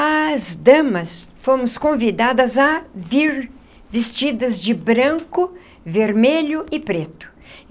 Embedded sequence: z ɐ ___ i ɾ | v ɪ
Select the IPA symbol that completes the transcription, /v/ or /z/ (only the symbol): v